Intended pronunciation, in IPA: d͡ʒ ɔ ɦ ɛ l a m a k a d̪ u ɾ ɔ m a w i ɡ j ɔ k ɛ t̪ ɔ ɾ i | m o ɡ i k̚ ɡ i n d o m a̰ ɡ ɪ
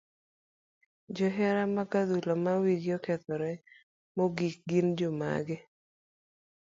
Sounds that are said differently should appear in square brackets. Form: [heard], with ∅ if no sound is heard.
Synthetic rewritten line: d͡ʒ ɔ ɦ ɛ [ɾ] a m a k a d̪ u [l] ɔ m a w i ɡ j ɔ k ɛ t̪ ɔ ɾ [ɛ] | m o ɡ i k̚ ɡ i n [d͡ʒ] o m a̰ ɡ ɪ